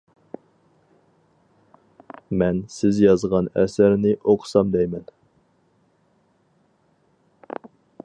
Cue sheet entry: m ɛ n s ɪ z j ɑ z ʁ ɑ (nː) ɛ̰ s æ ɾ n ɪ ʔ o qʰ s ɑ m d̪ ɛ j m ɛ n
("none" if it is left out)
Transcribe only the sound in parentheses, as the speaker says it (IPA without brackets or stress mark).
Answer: n